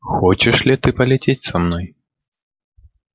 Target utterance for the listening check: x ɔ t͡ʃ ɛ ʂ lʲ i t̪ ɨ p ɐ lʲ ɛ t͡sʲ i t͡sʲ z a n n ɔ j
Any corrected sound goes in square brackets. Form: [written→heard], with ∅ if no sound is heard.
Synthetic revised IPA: x ɔ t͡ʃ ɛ ʂ lʲ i t̪ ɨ p ɐ lʲ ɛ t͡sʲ [i→e] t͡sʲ [z→s] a [n→m] n ɔ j